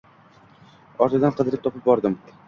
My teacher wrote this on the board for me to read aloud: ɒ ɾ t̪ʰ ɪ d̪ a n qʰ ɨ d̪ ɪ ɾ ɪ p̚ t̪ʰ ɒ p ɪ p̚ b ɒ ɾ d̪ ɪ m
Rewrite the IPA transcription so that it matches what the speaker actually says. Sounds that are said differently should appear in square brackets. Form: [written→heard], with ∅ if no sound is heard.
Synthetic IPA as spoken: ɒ ɾ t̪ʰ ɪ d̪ a n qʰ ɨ d̪ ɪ ɾ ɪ p̚ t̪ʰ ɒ p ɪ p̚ b ɒ ɾ d̪ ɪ m

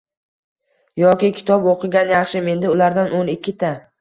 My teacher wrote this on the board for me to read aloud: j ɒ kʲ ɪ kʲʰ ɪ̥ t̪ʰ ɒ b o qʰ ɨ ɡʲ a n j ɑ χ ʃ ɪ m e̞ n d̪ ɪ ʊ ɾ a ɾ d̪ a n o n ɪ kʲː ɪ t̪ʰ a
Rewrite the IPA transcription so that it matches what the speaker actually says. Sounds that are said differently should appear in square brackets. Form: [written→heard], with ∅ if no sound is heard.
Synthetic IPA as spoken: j ɒ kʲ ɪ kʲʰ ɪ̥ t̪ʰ ɒ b o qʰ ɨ ɡʲ a n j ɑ χ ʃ ɪ m e̞ n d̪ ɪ ʊ [ɾ→l] a ɾ d̪ a n o n ɪ kʲː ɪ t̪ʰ a

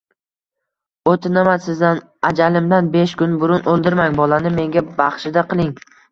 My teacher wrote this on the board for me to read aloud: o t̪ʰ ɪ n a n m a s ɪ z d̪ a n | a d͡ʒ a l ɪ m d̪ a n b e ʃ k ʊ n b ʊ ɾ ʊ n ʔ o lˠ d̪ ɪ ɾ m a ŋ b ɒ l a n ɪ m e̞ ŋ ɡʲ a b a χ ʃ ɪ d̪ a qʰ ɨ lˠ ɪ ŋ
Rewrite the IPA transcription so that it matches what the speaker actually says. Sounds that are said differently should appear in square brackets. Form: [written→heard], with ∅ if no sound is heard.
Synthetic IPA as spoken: o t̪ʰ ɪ n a [n→∅] m a s ɪ z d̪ a n | a d͡ʒ a l ɪ m d̪ a n b e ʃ k ʊ n b ʊ ɾ ʊ n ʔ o lˠ d̪ ɪ ɾ m a ŋ b ɒ l a n ɪ m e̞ ŋ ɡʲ a b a χ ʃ ɪ d̪ a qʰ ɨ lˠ ɪ ŋ

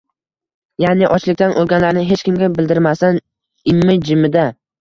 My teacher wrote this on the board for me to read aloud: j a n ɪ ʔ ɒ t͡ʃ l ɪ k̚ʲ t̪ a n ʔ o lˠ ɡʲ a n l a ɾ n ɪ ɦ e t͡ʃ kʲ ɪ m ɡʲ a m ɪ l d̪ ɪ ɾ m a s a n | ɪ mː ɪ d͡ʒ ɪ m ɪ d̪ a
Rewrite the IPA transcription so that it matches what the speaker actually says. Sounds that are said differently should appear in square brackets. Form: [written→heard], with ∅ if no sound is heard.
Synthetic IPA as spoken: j a n ɪ ʔ ɒ t͡ʃ l ɪ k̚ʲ t̪ a n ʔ o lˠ ɡʲ a n l a ɾ n ɪ ɦ e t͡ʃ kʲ ɪ m ɡʲ a [m→b] ɪ l d̪ ɪ ɾ m a s a n | ɪ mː ɪ d͡ʒ ɪ m ɪ d̪ a

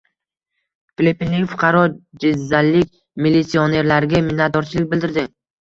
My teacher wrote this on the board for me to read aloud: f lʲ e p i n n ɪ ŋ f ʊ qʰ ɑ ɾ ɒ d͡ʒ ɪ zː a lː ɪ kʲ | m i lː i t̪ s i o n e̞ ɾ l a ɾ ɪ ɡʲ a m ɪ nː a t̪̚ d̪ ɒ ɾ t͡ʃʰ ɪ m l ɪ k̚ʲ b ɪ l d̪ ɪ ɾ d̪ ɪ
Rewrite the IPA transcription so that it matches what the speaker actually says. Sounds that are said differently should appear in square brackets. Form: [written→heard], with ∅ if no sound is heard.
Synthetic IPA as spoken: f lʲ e p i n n ɪ ŋ f ʊ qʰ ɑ ɾ ɒ d͡ʒ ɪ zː a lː ɪ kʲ | m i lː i t̪ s i o n e̞ ɾ l a ɾ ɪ ɡʲ a m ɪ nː a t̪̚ d̪ ɒ ɾ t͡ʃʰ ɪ [m→∅] l ɪ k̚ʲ b ɪ l d̪ ɪ ɾ d̪ ɪ

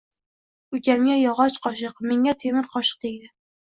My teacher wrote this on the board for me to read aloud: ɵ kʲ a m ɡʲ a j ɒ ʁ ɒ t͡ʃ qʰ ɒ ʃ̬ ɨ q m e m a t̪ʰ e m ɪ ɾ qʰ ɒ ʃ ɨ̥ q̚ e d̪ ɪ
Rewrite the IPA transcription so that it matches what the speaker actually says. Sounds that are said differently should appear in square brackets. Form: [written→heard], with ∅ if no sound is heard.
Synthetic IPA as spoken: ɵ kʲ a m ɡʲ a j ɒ ʁ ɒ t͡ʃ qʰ ɒ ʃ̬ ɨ q m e [m→ŋ] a t̪ʰ e m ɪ ɾ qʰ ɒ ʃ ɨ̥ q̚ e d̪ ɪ

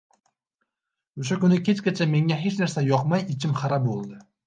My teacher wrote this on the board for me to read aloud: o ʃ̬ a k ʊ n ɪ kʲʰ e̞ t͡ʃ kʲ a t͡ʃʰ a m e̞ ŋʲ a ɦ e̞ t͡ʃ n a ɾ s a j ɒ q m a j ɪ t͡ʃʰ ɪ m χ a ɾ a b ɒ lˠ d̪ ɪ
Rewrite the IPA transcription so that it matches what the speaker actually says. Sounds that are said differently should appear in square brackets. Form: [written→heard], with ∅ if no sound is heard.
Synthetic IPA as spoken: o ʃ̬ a k ʊ n ɪ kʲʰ e̞ t͡ʃ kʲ a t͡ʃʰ a m e̞ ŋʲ a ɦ e̞ t͡ʃ n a ɾ s a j ɒ q m a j ɪ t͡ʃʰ ɪ m χ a ɾ a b [ɒ→o] lˠ d̪ ɪ

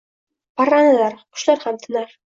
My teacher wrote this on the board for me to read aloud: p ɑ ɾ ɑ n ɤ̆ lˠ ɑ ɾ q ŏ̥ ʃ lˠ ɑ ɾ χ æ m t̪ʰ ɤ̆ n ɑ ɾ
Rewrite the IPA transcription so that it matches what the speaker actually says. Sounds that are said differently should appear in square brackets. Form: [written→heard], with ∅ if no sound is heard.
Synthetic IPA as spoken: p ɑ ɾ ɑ n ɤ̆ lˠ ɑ ɾ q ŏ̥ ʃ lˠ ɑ ɾ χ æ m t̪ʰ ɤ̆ n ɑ ɾ

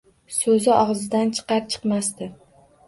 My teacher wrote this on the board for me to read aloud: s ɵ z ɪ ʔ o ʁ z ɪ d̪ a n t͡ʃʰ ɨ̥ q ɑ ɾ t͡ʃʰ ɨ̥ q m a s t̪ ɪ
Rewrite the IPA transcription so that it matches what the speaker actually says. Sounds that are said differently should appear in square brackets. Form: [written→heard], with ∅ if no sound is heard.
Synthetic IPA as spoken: s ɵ z ɪ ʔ [o→ɒ] ʁ z ɪ d̪ a n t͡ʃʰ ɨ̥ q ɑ ɾ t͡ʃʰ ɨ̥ q m a s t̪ ɪ

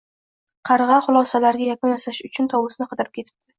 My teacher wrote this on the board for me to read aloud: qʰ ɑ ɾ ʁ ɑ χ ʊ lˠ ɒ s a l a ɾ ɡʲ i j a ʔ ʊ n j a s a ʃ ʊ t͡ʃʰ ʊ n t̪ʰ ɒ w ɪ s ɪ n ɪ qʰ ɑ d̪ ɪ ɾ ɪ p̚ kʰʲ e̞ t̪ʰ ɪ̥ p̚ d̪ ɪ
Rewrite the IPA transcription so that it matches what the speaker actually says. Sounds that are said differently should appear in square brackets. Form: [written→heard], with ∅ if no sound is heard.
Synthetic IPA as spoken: qʰ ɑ ɾ ʁ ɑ χ ʊ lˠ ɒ s a l a ɾ ɡʲ [i→a] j a [ʔ→k] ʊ n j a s a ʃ ʊ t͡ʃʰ ʊ n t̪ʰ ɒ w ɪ s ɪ n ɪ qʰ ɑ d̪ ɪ ɾ ɪ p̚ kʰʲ e̞ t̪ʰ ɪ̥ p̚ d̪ ɪ

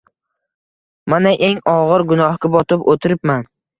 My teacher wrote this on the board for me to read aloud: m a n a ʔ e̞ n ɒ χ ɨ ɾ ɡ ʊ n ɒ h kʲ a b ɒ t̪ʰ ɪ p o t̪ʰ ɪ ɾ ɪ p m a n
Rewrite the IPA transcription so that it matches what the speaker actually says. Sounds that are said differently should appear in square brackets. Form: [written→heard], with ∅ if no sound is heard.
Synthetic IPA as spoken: m a n a ʔ e̞ [n→ŋ] ɒ [χ→ʁ] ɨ ɾ ɡ ʊ n ɒ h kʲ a b ɒ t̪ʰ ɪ p o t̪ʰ ɪ ɾ ɪ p m a n

